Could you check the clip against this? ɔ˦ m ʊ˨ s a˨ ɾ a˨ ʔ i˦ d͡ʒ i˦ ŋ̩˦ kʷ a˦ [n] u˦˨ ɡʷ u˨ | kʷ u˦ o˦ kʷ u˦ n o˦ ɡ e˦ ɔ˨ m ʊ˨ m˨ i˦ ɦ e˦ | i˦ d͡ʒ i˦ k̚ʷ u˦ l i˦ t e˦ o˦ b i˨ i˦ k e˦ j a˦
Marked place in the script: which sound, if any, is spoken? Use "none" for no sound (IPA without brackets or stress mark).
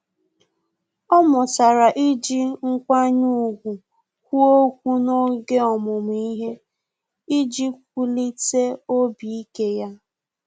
ɲ